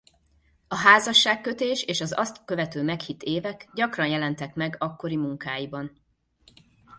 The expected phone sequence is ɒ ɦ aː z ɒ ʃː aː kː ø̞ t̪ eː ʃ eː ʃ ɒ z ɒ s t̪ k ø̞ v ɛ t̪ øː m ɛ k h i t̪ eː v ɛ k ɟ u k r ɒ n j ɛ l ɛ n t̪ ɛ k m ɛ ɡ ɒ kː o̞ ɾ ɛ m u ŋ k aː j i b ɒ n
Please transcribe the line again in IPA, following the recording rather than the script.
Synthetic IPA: ɒ ɦ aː z ɒ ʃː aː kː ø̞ t̪ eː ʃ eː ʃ ɒ z ɒ s t̪ k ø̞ v ɛ t̪ øː m ɛ k h i t̪ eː v ɛ k ɟ ɒ k r ɒ n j ɛ l ɛ n t̪ ɛ k m ɛ ɡ ɒ kː o̞ ɾ i m u ŋ k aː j i b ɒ n